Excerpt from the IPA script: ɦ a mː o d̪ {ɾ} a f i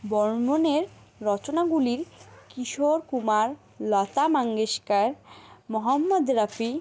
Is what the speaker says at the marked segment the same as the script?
yes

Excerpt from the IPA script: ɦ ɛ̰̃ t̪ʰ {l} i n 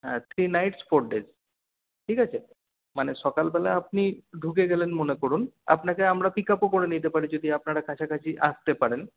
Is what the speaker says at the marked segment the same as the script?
no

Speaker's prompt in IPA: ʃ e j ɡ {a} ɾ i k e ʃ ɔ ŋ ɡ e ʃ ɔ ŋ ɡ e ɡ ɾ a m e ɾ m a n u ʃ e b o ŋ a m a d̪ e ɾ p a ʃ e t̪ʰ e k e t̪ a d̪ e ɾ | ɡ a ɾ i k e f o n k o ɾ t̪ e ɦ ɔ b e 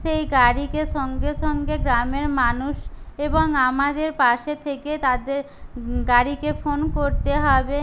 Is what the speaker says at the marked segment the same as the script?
yes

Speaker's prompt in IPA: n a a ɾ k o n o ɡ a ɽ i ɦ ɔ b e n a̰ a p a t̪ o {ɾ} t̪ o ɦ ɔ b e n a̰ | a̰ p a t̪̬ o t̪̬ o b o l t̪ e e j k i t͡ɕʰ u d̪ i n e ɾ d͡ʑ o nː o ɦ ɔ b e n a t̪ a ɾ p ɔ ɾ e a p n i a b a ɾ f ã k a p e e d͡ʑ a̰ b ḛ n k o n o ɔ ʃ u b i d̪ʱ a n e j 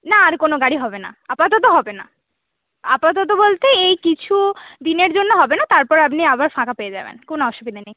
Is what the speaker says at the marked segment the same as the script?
no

